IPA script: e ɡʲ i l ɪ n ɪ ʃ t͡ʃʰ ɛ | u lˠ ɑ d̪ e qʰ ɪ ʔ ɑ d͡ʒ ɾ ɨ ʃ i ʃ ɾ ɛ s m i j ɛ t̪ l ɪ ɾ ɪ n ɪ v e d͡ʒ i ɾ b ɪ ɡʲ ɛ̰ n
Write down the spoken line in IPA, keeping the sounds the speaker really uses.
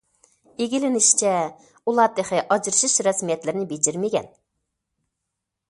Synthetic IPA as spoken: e ɡʲ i l ɪ n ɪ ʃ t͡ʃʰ ɛ | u lˠ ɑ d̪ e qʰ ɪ ʔ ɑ d͡ʒ ɾ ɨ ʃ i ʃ ɾ ɛ s m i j ɛ t̪ l ɪ ɾ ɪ n ɪ b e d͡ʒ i ɾ m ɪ ɡʲ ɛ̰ n

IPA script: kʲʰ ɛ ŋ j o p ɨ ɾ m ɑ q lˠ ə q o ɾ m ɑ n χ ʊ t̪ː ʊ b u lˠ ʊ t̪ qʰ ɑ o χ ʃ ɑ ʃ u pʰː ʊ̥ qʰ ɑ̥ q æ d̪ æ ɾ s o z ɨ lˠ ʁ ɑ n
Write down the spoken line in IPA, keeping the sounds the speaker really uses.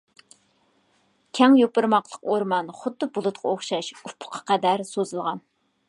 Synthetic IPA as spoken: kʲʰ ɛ ŋ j o p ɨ ɾ m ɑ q lˠ ə q o ɾ m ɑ n χ ʊ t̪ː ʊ b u lˠ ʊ t̪ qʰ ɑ o χ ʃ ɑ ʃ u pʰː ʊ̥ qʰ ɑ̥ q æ d̪ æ ɾ s o z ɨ lˠ ʁ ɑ n

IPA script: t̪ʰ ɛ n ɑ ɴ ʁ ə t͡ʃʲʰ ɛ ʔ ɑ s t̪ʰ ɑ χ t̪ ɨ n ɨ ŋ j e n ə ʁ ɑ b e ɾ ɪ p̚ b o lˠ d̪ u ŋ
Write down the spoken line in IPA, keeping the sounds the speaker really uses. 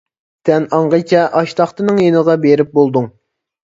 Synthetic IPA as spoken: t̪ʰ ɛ n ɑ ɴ ʁ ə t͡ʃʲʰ ɛ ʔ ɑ ʃ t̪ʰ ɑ χ t̪ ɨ n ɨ ŋ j e n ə ʁ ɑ b e ɾ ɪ p̚ b o lˠ d̪ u ŋ

